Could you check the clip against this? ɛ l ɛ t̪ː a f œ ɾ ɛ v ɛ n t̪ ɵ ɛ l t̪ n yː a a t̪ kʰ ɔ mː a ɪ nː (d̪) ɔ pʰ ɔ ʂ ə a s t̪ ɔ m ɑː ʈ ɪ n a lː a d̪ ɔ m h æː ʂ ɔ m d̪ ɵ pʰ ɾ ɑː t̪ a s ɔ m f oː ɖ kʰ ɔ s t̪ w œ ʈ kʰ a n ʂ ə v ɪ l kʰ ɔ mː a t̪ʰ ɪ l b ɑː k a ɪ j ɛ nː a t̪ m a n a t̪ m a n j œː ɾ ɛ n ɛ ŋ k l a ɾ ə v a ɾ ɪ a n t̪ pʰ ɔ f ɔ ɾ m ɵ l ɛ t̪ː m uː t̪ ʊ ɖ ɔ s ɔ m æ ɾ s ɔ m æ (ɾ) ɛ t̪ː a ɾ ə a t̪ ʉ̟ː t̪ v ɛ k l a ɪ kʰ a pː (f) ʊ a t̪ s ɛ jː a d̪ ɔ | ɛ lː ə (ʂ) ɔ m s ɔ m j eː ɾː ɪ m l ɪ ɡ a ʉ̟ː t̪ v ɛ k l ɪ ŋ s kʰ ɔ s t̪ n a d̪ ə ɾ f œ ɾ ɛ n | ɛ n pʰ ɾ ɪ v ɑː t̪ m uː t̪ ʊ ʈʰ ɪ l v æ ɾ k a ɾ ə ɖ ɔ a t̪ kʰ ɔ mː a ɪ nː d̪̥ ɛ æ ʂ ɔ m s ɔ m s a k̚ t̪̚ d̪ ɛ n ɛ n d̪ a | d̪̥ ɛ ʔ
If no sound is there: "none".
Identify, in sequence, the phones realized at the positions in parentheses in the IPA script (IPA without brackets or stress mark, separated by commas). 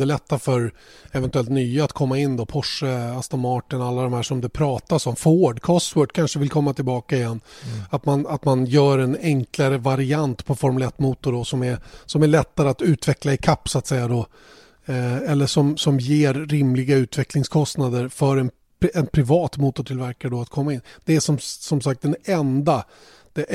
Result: d̪, ɭ, s, ʂ